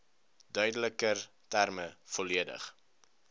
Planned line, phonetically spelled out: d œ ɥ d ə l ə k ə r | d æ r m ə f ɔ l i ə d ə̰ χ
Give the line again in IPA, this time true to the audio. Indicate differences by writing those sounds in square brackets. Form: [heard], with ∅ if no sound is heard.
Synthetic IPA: d œ ɥ d ə l ə k ə r | [t] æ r m ə f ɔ l i ə d ə̰ χ

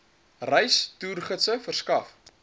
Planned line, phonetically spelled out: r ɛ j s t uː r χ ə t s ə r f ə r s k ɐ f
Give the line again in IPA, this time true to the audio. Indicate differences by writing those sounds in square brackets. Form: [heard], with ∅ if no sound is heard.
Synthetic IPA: r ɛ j s t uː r χ ə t s ə [∅] f ə r s k ɐ f

